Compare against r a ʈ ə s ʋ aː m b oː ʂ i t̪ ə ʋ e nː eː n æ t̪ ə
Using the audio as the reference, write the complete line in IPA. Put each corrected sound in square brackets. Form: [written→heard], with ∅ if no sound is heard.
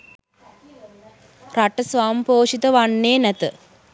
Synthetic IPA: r a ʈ ə s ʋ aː m [b→p] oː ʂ i t̪ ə ʋ [e→a] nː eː n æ t̪ ə